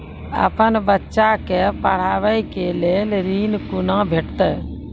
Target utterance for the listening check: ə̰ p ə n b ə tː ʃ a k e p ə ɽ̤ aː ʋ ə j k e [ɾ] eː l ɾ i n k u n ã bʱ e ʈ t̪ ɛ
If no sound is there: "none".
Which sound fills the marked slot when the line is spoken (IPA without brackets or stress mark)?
l